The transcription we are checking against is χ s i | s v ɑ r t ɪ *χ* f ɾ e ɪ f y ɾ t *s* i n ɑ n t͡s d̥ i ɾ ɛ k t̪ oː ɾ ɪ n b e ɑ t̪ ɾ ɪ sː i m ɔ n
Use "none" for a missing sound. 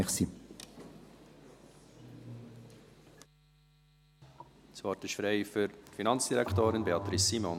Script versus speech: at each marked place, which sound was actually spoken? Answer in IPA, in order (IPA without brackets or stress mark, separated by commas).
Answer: ʃ, f